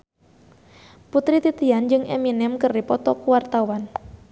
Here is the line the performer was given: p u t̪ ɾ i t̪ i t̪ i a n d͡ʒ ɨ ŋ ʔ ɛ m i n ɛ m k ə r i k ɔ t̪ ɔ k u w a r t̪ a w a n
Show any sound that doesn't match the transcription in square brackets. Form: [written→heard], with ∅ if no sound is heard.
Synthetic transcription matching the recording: p u t̪ ɾ i t̪ i t̪ i a n d͡ʒ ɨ ŋ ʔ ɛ m i n ɛ m k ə r i [k→p] ɔ t̪ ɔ k u w a r t̪ a w a n